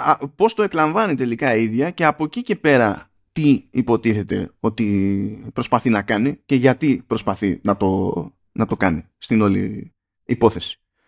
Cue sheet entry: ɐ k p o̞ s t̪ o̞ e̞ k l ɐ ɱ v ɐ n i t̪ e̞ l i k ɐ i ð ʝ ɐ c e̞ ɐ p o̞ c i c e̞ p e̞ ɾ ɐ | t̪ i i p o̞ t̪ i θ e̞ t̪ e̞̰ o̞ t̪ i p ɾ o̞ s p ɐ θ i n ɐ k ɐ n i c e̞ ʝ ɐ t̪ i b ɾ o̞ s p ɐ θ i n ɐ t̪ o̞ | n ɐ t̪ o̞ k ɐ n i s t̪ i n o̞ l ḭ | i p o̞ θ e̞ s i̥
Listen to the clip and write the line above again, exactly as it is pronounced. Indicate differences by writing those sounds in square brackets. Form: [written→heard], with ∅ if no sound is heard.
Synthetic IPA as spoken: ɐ [k→∅] p o̞ s t̪ o̞ e̞ k l ɐ ɱ v ɐ n i t̪ e̞ l i k ɐ i ð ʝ ɐ c e̞ ɐ p o̞ c i c e̞ p e̞ ɾ ɐ | t̪ i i p o̞ t̪ i θ e̞ t̪ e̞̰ o̞ t̪ i p ɾ o̞ s p ɐ θ i n ɐ k ɐ n i c e̞ ʝ ɐ t̪ i [b→p] ɾ o̞ s p ɐ θ i n ɐ t̪ o̞ | n ɐ t̪ o̞ k ɐ n i s t̪ i n o̞ l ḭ | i p o̞ θ e̞ s i̥